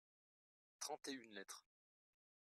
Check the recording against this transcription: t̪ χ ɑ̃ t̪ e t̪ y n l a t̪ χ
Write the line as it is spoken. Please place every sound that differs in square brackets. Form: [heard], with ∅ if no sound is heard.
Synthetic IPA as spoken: t̪ χ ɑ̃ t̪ e [∅] y n l [ɛ] t̪ χ